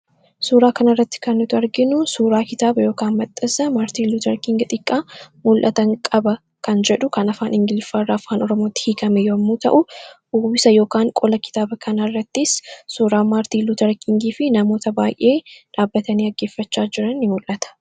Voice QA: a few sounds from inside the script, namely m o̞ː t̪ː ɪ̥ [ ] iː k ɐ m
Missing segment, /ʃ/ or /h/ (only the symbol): h